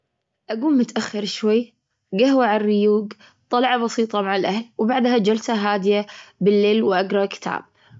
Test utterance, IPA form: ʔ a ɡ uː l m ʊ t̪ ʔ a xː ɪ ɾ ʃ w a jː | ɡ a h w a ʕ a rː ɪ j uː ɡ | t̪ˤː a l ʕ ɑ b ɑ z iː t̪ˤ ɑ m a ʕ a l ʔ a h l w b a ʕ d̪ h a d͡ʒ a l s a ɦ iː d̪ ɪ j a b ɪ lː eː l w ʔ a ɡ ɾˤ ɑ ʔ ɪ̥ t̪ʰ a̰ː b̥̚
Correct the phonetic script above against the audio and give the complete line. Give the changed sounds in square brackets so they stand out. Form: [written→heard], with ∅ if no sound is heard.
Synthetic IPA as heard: ʔ a ɡ uː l m ʊ t̪ ʔ a xː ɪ ɾ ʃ w a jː | ɡ a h w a ʕ a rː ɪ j uː ɡ | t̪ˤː [a→ɑ] l ʕ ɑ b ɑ [z→s] iː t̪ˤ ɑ m a ʕ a l ʔ a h l w b a ʕ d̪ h a d͡ʒ a l s a ɦ [iː→aː] d̪ ɪ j a b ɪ lː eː l w ʔ a ɡ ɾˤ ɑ [ʔ→k] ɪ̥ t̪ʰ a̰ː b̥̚